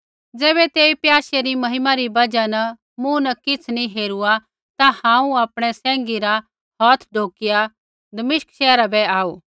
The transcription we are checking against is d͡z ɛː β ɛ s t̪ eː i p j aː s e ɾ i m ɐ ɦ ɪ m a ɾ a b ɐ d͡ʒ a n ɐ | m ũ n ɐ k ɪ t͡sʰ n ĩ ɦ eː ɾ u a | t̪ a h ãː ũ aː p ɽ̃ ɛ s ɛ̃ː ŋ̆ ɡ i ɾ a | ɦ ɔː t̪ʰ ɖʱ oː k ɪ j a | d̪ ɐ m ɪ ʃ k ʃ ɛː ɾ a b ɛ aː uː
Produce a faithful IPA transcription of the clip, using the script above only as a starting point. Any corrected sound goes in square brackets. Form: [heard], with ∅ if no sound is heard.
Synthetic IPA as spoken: d͡z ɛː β ɛ [∅] t̪ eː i p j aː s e ɾ i m ɐ ɦ ɪ m a ɾ [i] b ɐ d͡ʒ a n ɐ | m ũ n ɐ k ɪ t͡sʰ n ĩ ɦ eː ɾ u a | t̪ a h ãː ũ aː p ɽ̃ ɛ s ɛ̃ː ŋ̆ ɡ i ɾ a | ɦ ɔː t̪ʰ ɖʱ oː k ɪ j a | d̪ ɐ m ɪ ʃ k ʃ ɛː ɾ a b ɛ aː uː